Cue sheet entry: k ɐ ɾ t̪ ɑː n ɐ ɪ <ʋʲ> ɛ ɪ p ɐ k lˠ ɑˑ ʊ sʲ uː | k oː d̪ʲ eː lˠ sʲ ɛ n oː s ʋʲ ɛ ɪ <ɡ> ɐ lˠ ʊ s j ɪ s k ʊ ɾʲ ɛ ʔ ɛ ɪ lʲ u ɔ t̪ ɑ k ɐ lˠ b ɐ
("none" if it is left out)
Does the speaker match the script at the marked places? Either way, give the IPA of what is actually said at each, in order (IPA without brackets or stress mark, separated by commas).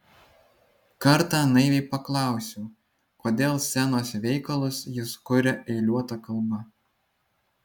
ʋʲ, k